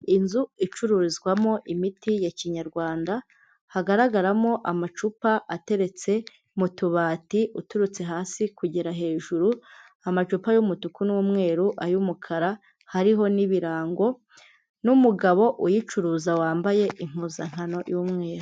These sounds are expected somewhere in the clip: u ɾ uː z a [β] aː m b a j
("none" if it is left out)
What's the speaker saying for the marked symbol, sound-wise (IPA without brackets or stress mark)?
w